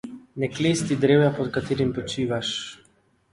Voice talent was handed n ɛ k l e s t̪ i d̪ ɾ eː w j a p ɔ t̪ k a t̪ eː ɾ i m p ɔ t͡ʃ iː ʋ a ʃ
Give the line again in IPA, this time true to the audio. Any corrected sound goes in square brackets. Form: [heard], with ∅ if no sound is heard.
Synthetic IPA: n ɛ k l e s t̪ i d̪ ɾ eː w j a p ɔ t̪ k a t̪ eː ɾ i m p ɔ t͡ʃ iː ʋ a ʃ